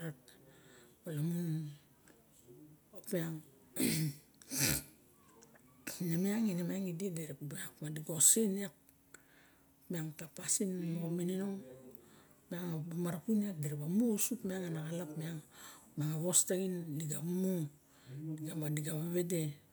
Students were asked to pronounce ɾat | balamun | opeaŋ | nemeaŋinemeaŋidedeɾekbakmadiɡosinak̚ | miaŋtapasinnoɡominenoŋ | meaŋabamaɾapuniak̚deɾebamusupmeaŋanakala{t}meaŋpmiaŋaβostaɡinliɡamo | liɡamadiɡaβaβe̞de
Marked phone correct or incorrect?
incorrect: p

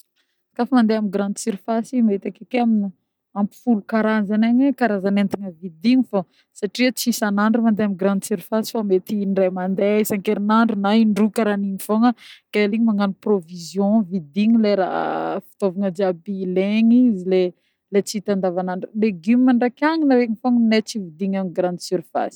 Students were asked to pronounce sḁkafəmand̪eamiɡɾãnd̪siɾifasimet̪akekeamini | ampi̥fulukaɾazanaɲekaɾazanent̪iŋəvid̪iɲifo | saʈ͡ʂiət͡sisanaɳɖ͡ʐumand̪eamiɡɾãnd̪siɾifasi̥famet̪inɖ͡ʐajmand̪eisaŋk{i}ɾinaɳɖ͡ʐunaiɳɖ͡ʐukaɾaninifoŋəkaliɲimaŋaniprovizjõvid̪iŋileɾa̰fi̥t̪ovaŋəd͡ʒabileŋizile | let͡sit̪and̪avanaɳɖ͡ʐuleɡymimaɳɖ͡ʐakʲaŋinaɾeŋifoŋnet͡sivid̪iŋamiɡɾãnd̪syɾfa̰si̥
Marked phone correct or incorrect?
incorrect: e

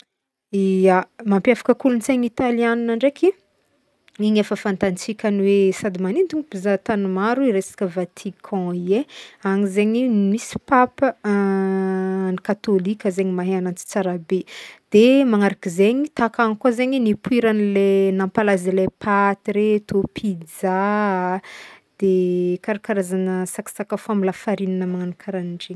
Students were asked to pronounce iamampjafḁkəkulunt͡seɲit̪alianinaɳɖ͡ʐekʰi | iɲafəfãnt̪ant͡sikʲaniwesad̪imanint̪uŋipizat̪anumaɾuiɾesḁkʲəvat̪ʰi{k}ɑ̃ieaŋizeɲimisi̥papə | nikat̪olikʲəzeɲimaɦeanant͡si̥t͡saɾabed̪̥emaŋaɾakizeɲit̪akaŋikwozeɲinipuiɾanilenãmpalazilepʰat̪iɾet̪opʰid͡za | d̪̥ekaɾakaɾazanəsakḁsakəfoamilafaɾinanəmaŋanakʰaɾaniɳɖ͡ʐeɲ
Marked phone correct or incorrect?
incorrect: kʰ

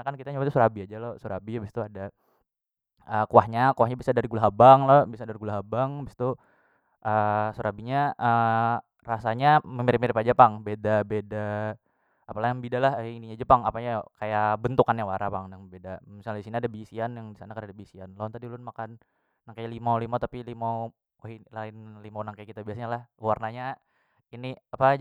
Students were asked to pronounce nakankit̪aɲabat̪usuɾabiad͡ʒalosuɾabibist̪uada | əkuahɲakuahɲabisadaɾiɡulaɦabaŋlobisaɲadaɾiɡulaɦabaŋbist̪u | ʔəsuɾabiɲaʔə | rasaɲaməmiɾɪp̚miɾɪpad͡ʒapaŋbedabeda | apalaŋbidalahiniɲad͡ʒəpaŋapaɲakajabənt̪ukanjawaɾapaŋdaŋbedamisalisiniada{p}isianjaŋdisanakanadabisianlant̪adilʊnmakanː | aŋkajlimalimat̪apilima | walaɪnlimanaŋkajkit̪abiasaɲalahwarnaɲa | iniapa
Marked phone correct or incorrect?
incorrect: b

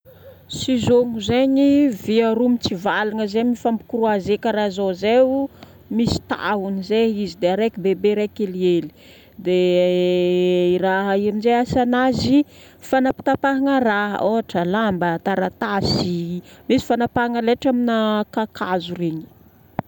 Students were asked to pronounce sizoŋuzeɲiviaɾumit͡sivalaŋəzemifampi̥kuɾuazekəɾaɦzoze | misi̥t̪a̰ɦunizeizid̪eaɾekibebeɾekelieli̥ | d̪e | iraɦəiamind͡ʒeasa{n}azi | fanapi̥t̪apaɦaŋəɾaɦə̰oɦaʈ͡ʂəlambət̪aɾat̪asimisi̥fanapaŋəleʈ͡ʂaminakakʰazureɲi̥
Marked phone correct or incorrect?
correct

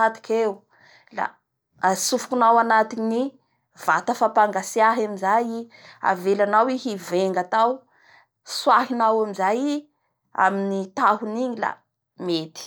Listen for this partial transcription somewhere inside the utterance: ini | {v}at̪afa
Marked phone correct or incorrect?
correct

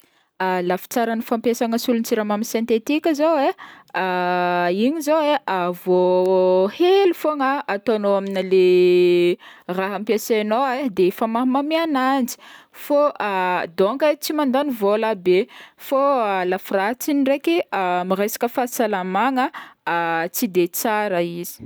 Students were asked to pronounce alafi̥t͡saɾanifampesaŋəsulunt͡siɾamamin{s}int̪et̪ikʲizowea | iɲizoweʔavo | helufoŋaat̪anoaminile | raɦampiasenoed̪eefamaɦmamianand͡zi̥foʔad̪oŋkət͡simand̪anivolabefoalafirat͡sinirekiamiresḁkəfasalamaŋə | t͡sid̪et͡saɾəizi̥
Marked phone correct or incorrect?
correct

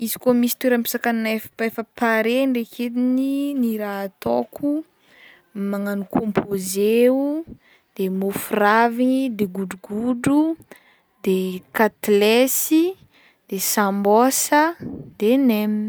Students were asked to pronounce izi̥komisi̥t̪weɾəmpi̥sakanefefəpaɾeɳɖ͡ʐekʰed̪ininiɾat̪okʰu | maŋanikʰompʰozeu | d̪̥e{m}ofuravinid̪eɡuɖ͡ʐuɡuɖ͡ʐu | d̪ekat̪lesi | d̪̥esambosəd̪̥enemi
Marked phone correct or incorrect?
correct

